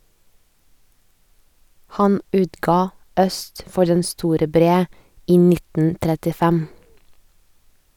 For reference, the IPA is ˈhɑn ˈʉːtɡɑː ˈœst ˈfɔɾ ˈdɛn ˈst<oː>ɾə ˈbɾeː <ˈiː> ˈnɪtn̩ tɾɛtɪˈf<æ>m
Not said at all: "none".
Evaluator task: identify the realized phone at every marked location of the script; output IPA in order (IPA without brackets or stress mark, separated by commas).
uː, iː, ɛ